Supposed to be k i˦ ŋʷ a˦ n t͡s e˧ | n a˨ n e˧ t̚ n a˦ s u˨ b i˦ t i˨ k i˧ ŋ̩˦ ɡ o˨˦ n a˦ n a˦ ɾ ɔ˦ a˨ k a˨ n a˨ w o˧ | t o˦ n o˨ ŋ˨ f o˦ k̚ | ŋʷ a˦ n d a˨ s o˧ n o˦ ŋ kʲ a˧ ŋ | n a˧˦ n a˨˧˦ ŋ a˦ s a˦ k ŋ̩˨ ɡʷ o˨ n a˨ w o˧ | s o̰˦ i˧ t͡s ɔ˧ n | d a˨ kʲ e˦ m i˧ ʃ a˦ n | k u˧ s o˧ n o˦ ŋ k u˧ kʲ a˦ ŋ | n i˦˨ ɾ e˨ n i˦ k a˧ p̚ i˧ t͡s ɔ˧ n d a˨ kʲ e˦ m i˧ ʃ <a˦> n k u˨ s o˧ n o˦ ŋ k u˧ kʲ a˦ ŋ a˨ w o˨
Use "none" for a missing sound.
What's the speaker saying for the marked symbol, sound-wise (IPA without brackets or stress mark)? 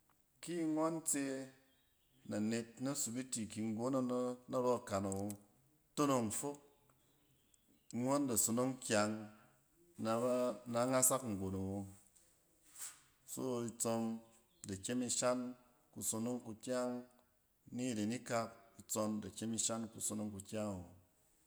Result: a˦